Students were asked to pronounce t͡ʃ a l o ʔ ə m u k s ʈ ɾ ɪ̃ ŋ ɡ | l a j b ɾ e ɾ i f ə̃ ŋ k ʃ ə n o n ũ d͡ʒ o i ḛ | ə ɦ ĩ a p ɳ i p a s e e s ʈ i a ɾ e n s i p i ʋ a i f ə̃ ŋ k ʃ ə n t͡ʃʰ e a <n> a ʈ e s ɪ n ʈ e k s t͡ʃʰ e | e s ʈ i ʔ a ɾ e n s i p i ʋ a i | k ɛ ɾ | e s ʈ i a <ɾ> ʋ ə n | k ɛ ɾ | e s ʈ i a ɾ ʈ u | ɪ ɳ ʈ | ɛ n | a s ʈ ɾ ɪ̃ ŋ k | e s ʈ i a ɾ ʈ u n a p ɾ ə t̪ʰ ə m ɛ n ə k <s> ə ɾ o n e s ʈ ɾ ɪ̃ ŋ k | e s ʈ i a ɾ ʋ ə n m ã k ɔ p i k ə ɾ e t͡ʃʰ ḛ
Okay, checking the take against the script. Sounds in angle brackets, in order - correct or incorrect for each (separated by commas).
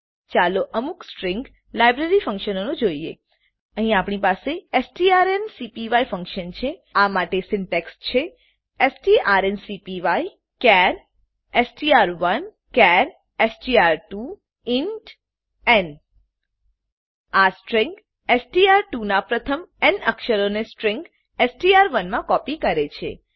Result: incorrect, correct, incorrect